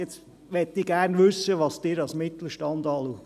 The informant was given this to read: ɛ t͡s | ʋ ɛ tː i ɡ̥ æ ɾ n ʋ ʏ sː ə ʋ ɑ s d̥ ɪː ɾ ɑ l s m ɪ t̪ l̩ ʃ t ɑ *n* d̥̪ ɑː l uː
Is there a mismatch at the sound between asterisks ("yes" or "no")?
no